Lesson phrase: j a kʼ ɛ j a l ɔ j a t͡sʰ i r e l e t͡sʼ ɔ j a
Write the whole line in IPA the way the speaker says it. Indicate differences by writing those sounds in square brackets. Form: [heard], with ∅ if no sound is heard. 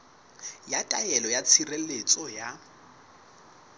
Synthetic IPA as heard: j a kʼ [a] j [ɛ] l ɔ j a t͡sʰ i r e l e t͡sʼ ɔ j a

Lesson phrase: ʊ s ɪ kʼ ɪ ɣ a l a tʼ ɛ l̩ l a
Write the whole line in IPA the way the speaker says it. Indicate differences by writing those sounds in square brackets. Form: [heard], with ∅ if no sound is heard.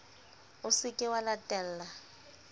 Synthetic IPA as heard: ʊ s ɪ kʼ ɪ [w] a l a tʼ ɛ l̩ l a

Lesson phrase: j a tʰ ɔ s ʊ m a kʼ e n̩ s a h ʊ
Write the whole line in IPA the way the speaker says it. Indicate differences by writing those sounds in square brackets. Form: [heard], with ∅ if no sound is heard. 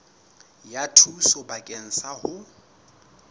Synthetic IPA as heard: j a tʰ [u] s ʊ [b] a kʼ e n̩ s a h ʊ

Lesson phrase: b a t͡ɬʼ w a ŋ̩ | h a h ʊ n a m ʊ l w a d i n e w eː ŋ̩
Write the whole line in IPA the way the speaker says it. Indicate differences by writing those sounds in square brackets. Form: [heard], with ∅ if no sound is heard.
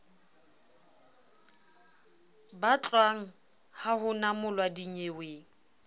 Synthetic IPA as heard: b a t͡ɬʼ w a ŋ̩ | h a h ʊ n a m ʊ l w a d i [ɲ] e w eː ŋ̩

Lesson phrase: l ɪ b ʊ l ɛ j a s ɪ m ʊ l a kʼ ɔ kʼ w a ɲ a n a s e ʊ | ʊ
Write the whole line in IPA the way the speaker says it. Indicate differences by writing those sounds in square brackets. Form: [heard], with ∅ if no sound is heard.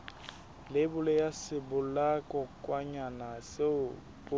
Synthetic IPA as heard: l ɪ b ʊ l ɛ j a s ɪ [b] ʊ l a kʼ ɔ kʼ w a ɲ a n a s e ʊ | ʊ

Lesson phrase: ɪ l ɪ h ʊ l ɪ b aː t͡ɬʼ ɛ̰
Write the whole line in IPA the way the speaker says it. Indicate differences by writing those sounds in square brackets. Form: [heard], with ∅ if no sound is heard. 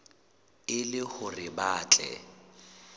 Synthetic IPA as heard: ɪ l ɪ h ʊ [r] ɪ b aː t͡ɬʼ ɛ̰

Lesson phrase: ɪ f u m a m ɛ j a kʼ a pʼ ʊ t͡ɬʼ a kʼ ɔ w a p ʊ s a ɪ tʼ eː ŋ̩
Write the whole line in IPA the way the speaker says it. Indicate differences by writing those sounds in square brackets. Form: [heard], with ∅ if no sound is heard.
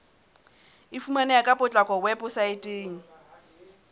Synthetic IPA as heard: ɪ f u m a [n] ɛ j a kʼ a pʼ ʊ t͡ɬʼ a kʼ ɔ w [ɛ] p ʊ s a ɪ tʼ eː ŋ̩

